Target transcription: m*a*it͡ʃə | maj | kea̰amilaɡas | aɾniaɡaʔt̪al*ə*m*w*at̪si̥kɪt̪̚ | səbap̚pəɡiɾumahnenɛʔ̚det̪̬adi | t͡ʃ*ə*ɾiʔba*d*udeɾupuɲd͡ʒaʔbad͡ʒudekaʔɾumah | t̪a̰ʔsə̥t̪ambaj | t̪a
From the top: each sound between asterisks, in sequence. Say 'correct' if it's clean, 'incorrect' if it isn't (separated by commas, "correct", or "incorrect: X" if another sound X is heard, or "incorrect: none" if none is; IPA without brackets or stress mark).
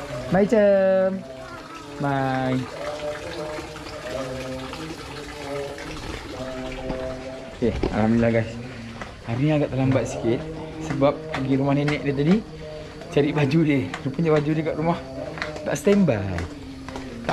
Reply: correct, incorrect: a, incorrect: b, incorrect: a, incorrect: d͡ʒ